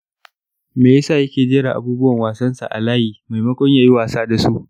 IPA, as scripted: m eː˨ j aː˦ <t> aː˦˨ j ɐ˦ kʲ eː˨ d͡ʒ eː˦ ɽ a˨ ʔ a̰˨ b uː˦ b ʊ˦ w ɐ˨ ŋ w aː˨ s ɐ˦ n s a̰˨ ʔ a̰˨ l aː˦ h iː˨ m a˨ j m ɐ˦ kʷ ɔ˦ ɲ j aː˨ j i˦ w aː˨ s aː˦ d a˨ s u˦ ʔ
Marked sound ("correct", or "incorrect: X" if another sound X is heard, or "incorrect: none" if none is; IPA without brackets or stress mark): incorrect: s